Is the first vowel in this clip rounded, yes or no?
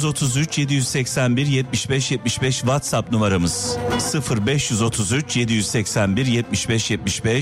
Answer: yes